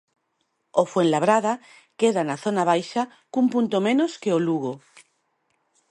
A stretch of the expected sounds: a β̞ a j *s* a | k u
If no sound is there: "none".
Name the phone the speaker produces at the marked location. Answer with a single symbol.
ʃ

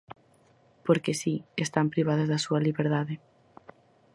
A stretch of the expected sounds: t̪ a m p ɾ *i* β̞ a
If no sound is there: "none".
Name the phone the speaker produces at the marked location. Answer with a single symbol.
i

